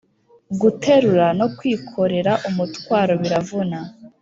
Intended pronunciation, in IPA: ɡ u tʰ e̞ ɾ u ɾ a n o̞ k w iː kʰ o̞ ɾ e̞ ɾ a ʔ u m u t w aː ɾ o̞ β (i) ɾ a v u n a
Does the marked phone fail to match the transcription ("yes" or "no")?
no